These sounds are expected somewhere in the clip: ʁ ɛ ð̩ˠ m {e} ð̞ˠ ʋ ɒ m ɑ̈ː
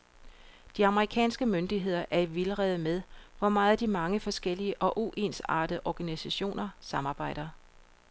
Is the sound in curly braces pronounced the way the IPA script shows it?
yes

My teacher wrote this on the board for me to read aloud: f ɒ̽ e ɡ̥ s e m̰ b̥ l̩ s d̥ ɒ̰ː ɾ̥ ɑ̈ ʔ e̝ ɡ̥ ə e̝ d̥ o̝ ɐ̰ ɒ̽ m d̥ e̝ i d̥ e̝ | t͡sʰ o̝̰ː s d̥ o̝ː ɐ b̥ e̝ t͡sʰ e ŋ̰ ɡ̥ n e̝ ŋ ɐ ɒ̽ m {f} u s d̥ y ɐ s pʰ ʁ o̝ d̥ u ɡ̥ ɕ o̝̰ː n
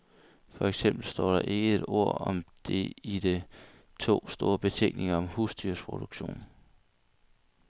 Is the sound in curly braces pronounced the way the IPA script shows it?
no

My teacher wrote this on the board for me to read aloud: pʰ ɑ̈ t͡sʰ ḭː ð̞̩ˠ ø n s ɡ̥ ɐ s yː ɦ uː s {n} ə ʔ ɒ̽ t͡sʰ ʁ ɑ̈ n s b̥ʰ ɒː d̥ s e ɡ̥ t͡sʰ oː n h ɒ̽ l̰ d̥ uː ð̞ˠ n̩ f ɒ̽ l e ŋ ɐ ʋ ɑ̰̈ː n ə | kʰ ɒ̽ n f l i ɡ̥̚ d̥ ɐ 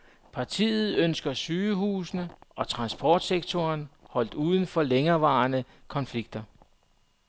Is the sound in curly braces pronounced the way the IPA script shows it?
yes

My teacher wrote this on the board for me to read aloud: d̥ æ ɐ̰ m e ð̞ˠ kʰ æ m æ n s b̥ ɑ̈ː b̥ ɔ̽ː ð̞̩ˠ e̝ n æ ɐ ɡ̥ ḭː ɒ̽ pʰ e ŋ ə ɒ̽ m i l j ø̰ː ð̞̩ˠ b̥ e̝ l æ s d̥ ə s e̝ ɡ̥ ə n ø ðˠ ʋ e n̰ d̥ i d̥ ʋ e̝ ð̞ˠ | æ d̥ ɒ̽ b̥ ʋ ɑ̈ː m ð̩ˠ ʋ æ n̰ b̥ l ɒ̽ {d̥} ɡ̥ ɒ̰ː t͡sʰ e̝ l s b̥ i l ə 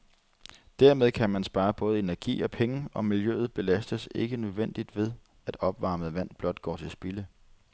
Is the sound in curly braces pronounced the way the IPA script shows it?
yes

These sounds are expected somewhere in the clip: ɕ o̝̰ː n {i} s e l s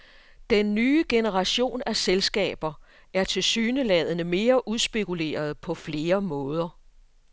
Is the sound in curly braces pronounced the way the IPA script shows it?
no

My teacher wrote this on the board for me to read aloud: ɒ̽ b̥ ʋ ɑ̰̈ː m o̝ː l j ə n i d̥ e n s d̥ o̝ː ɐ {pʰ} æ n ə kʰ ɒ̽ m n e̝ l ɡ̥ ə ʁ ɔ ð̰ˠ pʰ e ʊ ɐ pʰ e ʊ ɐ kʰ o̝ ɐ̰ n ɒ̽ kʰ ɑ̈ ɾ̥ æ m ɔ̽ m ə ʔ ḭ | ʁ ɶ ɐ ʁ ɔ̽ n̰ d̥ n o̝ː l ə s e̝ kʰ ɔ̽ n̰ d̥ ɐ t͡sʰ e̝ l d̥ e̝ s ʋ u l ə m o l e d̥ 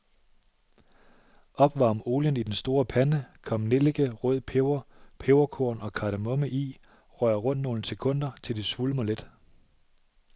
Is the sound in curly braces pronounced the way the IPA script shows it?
yes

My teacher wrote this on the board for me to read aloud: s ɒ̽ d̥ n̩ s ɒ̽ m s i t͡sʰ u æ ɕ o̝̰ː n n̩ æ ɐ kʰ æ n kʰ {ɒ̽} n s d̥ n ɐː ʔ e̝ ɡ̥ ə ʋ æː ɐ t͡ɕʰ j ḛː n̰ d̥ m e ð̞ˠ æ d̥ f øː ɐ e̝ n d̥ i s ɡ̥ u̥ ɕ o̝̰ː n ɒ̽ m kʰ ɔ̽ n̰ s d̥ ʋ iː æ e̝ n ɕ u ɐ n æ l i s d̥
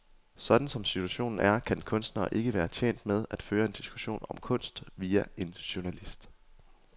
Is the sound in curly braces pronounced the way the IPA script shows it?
no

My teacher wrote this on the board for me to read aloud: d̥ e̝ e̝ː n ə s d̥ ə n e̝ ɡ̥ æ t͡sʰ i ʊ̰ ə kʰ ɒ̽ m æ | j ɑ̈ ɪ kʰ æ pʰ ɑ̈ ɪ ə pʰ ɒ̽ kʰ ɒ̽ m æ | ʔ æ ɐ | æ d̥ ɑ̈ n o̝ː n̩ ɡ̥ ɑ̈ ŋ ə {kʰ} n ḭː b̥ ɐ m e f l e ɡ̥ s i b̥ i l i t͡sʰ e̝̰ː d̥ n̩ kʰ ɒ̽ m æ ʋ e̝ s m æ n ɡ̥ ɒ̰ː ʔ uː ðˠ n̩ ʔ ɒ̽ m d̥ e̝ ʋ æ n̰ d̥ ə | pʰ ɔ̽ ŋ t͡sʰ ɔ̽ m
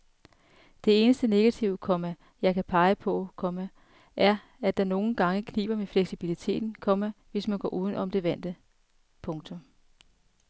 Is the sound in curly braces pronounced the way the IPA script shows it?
yes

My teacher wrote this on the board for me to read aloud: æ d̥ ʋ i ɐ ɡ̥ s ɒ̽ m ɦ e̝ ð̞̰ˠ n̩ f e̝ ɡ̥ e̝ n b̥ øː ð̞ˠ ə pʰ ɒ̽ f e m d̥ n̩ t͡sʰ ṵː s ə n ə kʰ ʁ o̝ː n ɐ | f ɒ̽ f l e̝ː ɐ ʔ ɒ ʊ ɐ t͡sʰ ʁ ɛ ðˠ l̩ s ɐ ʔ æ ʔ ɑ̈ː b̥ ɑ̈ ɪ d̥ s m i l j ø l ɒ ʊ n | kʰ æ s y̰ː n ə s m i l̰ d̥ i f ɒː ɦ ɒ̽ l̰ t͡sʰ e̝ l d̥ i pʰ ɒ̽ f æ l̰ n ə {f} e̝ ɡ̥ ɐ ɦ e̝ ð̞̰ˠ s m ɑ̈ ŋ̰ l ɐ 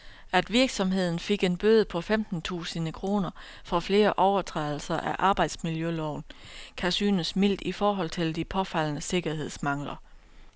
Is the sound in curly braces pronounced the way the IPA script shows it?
no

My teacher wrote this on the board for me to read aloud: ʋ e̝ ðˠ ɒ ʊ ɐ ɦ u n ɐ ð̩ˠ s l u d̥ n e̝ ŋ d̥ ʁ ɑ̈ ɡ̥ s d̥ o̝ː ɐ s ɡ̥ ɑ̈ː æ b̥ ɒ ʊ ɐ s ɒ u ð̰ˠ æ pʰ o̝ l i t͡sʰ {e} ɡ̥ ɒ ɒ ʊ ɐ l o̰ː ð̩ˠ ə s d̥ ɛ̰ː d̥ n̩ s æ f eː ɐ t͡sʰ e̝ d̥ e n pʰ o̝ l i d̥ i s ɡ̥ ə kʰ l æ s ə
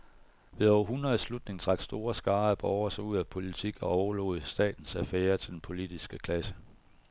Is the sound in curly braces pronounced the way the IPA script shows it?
no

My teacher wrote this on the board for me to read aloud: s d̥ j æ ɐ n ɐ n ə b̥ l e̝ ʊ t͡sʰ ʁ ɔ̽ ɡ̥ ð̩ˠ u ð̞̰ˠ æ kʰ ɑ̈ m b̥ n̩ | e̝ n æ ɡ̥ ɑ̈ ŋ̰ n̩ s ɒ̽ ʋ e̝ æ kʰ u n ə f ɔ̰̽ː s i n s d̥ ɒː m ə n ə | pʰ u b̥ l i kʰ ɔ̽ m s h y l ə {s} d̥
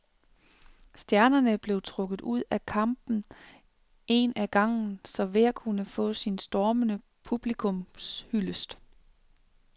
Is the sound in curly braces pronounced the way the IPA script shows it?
yes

